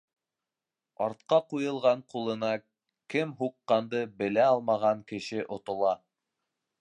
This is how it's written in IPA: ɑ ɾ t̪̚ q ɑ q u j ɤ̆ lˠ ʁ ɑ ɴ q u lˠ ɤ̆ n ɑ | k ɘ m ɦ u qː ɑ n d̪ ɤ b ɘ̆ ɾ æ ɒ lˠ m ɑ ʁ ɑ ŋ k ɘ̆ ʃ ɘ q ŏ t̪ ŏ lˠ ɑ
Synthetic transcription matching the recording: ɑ ɾ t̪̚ q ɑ q u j ɤ̆ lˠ ʁ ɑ ɴ q u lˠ ɤ̆ n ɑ | k ɘ m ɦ u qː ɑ n d̪ ɤ b ɘ̆ l æ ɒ lˠ m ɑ ʁ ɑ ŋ k ɘ̆ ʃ ɘ ʔ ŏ t̪ ŏ lˠ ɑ